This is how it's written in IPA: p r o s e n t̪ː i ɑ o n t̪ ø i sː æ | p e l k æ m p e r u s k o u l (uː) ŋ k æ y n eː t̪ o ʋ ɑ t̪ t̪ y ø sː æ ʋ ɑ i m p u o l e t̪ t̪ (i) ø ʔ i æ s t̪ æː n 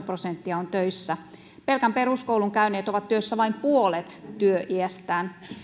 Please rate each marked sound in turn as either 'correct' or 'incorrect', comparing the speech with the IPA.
incorrect: u, incorrect: y

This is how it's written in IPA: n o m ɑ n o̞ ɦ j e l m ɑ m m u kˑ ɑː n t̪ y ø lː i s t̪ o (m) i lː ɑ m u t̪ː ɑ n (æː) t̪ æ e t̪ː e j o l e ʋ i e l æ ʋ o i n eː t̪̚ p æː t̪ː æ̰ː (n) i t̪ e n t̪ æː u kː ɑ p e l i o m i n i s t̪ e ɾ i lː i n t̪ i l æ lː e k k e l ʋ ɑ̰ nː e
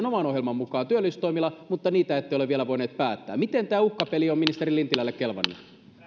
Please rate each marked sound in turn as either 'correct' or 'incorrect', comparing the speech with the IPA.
correct, incorrect: iː, incorrect: m

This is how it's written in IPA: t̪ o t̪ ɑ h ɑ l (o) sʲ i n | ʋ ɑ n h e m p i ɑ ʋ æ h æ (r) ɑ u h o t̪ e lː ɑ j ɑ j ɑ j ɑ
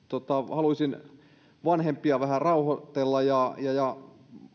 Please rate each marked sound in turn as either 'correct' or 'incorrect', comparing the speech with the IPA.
incorrect: u, correct

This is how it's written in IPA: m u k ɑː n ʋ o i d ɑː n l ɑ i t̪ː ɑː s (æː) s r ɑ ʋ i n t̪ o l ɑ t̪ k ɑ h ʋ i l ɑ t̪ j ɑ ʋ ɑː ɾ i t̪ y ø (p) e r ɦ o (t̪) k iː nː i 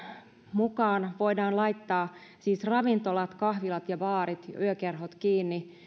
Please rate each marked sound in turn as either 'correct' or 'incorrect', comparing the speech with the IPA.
incorrect: iː, incorrect: k, correct

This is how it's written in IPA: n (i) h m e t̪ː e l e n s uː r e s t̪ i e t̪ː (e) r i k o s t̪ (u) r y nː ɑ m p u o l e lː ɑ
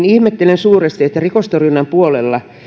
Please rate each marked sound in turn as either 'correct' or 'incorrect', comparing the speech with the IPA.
correct, incorrect: æ, incorrect: o

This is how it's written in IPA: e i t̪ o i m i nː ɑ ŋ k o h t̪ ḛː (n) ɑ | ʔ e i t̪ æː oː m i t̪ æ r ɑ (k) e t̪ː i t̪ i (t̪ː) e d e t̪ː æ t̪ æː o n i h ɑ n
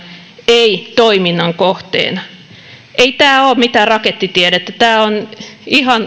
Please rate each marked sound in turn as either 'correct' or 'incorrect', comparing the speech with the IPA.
correct, correct, incorrect: none

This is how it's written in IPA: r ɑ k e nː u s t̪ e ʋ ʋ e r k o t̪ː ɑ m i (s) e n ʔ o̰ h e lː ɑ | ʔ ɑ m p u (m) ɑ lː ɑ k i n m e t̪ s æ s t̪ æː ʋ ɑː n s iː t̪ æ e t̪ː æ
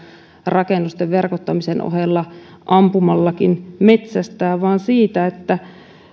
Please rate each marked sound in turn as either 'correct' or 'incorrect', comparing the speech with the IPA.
correct, correct

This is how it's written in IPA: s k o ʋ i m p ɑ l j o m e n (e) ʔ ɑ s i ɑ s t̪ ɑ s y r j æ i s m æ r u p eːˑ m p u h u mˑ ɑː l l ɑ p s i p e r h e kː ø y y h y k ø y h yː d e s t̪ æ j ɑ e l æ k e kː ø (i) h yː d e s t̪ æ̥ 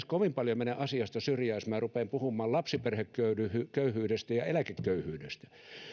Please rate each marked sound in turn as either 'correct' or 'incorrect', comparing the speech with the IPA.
correct, incorrect: y

